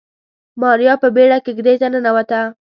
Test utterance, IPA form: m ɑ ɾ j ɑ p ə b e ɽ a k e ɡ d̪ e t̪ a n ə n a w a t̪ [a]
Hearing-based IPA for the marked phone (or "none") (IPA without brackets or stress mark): a